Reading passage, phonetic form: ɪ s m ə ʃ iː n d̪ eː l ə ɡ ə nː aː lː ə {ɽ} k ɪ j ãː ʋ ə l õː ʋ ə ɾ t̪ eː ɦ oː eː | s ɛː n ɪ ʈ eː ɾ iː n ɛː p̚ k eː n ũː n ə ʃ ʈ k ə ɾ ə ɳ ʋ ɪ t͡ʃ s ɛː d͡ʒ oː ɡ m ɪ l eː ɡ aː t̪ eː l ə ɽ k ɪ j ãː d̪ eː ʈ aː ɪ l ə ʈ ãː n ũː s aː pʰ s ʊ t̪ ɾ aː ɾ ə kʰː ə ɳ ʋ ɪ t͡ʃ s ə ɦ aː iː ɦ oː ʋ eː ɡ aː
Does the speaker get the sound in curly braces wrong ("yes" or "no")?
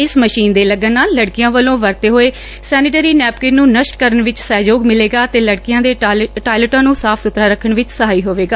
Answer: no